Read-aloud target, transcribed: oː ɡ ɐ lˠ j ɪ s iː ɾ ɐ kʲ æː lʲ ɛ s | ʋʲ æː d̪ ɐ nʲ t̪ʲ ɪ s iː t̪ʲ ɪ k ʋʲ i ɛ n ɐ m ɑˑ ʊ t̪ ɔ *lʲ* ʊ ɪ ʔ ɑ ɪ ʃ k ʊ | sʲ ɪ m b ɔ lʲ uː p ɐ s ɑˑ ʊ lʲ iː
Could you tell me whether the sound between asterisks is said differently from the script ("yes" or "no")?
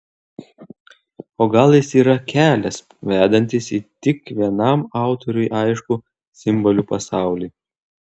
yes